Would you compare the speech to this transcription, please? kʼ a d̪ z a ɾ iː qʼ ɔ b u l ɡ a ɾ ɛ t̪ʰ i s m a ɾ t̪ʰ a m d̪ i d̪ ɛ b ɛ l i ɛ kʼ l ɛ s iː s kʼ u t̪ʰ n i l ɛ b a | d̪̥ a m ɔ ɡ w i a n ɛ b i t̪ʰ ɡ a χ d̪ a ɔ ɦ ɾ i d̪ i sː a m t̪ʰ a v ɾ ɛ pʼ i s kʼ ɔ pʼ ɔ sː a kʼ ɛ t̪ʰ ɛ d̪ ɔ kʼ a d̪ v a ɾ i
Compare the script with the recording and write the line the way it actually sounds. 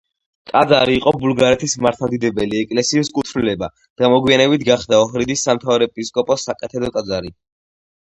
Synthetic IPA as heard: kʼ a d̪ z a ɾ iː qʼ ɔ b u l ɡ a ɾ ɛ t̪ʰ i s m a ɾ t̪ʰ a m d̪ i d̪ ɛ b ɛ l i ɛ kʼ l ɛ s iː s kʼ u t̪ʰ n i l ɛ b a | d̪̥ a m ɔ ɡ w i a n ɛ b i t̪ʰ ɡ a χ d̪ a ɔ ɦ ɾ i d̪ i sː a m t̪ʰ a v ɾ ɛ pʼ i s kʼ ɔ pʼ ɔ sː a kʼ ɛ t̪ʰ ɛ d̪ ɔ kʼ a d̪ z a ɾ i

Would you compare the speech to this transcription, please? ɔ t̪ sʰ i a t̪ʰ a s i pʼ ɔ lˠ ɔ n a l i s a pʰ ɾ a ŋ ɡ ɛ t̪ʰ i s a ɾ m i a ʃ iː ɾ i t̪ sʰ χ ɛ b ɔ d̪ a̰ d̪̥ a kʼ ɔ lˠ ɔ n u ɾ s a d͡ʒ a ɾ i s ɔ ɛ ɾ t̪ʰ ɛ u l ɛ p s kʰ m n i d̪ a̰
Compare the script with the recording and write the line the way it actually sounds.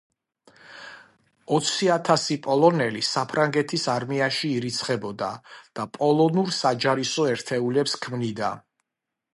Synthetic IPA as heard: ɔ t̪ sʰ i a t̪ʰ a s i pʼ ɔ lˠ ɔ n ɛ l i s a pʰ ɾ a ŋ ɡ ɛ t̪ʰ i s a ɾ m i a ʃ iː ɾ i t̪ sʰ χ ɛ b ɔ d̪ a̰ d̪̥ a pʼ ɔ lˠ ɔ n u ɾ s a d͡ʒ a ɾ i s ɔ ɛ ɾ t̪ʰ ɛ u l ɛ p s kʰ m n i d̪ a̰

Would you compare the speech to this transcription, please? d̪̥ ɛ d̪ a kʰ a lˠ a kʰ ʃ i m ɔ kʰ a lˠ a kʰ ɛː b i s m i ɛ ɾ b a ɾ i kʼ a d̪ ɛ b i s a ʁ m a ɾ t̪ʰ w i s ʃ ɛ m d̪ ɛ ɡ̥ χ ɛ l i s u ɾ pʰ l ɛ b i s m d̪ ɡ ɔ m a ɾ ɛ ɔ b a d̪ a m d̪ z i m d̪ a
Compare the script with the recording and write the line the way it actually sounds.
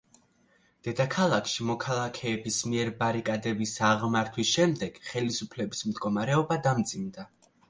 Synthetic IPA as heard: d̪̥ ɛ d̪ a kʰ a lˠ a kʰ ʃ i m ɔ kʰ a lˠ a kʰ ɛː b i s m i ɛ ɾ b a ɾ i kʼ a d̪ ɛ b i s a ʁ m a ɾ t̪ʰ w i s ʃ ɛ m d̪ ɛ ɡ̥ χ ɛ l i s u pʰ l ɛ b i s m d̪ ɡ ɔ m a ɾ ɛ ɔ b a d̪ a m d̪ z i m d̪ a

